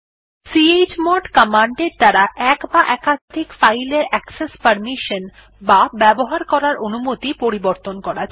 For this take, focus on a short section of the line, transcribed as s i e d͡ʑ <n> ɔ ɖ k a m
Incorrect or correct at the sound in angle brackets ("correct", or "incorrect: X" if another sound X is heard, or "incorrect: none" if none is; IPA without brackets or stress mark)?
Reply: incorrect: m